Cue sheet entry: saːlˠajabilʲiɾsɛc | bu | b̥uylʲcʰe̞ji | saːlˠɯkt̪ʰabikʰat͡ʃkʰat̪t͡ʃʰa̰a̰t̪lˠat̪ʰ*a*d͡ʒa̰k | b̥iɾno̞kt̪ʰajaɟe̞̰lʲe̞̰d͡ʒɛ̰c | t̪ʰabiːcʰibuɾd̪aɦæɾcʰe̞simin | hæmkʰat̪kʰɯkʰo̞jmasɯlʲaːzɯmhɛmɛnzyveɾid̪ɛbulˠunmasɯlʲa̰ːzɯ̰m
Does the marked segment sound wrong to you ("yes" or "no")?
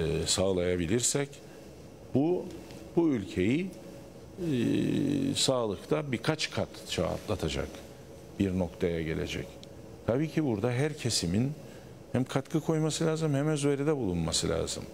no